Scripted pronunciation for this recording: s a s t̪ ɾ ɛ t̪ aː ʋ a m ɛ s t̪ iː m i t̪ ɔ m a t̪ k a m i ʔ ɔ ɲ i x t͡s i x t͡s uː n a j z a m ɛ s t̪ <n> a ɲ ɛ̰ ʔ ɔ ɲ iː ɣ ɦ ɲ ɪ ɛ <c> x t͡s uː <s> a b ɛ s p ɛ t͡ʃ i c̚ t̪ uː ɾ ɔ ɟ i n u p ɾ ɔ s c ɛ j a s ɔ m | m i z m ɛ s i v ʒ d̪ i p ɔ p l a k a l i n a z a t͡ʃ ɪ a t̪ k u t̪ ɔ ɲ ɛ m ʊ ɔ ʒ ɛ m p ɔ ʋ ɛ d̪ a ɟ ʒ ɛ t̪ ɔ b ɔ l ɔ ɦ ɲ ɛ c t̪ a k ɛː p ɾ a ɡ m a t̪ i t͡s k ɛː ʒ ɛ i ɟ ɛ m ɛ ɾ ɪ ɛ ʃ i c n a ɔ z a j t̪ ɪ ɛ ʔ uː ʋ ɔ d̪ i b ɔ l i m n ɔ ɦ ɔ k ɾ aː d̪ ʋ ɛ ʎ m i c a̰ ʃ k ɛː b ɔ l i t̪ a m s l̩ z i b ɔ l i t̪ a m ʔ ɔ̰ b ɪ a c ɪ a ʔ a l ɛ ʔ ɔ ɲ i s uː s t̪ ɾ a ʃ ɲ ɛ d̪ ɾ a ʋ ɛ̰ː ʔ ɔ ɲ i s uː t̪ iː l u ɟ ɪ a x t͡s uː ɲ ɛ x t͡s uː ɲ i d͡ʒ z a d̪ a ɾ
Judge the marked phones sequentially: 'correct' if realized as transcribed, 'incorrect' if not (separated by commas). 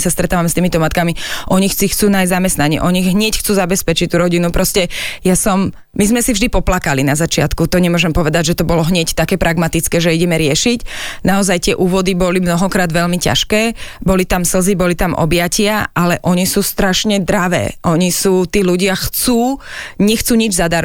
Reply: correct, correct, incorrect